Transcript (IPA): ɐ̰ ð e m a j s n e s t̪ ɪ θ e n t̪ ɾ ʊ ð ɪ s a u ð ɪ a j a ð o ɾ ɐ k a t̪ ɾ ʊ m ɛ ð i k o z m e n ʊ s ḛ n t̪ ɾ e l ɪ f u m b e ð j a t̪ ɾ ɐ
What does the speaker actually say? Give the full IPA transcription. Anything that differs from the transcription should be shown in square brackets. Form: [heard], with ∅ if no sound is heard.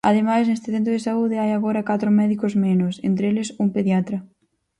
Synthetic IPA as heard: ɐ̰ ð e m a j s n e s t̪ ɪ θ e n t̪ ɾ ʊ ð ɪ s a u ð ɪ a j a [ɣ] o ɾ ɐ k a t̪ ɾ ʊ m ɛ ð i k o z m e n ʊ s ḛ n t̪ ɾ e l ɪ [s] u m [p] e ð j a t̪ ɾ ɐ

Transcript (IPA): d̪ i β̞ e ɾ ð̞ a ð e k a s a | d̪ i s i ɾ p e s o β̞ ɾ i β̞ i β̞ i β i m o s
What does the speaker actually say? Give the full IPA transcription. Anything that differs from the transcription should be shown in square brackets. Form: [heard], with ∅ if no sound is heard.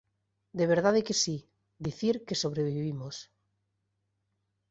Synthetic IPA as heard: d̪ [e] β̞ e ɾ ð̞ a ð e k [e] s [i] | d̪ i [θ] i ɾ [k] e s o β̞ ɾ [e] β̞ i [∅] i β i m o s

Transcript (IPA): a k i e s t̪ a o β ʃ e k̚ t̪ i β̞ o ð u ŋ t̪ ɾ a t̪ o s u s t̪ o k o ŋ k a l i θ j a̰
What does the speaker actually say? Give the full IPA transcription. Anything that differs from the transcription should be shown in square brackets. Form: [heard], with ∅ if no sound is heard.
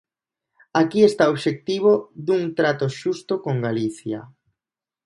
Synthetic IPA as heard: a k i e s t̪ a o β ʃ e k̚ t̪ i β̞ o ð u ŋ t̪ ɾ a t̪ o [ʃ] u s t̪ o k o ŋ [ɡ] a l i θ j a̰

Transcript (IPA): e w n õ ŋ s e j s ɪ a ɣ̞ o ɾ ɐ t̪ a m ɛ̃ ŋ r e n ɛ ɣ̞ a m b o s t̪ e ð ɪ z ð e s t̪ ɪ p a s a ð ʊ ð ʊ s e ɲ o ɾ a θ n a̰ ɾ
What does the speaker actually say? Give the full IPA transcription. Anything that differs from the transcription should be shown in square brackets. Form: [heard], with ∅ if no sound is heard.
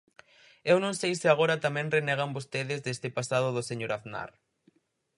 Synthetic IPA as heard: e w n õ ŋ s e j s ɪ a ɣ̞ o ɾ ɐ t̪ a m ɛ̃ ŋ r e n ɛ ɣ̞ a m b o s t̪ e ð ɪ z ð e s t̪ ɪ p a s a ð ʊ ð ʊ s e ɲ o ɾ a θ n a̰ ɾ

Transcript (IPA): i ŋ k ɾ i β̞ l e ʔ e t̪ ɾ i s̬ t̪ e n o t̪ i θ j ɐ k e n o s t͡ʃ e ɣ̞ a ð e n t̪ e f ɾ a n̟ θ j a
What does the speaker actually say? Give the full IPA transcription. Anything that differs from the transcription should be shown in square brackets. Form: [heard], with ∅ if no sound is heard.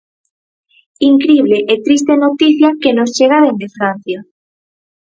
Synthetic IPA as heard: i ŋ k ɾ i β̞ l e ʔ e t̪ ɾ i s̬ t̪ e n o t̪ i θ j [a] k e n o s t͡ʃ e ɣ̞ a ð e n [d̪] e f ɾ a n̟ θ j a

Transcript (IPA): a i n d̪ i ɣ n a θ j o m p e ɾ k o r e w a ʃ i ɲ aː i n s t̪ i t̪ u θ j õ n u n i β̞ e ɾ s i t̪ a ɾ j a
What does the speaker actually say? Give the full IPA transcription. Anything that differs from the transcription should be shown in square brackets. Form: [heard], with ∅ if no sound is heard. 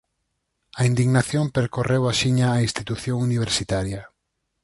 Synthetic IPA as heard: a i n d̪ i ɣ n a θ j o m p e ɾ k o r e w a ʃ i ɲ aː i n s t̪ i t̪ u θ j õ [ŋ] u n i β̞ e ɾ s i t̪ a ɾ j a

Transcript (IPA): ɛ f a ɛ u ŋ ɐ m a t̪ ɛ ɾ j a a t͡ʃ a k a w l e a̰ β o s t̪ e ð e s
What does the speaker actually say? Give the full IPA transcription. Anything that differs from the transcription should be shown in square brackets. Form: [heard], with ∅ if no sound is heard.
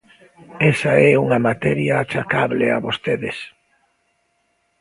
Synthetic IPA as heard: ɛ [s] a ɛ u ŋ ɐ m a t̪ ɛ ɾ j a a t͡ʃ a k a [β] l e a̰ β o s t̪ e ð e s

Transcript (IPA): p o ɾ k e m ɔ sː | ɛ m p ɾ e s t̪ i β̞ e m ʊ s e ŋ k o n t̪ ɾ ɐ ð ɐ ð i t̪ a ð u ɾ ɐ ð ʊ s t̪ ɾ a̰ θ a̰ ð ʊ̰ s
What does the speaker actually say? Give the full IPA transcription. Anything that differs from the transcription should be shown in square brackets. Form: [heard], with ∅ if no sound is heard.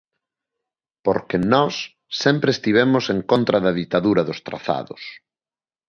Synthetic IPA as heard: p o ɾ k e [n] ɔ sː | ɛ m p ɾ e s t̪ i β̞ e m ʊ s e ŋ k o n t̪ ɾ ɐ ð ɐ ð i t̪ a ð u ɾ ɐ ð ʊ s t̪ ɾ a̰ θ a̰ ð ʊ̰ s

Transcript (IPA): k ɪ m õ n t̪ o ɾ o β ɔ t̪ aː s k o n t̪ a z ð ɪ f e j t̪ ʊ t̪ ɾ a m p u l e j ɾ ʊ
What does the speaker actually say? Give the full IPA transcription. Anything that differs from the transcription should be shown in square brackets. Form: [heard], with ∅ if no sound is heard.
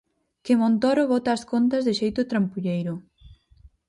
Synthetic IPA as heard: k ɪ m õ n t̪ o ɾ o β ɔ t̪ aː s k o n t̪ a z ð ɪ [ʃ] e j t̪ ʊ t̪ ɾ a m p u [ʎ] e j ɾ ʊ

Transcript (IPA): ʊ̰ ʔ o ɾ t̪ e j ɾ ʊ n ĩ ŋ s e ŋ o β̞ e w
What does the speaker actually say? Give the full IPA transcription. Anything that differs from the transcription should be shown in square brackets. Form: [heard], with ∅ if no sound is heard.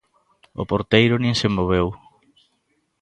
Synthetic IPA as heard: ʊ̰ [p] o ɾ t̪ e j ɾ ʊ n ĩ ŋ s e [m] o β̞ e w

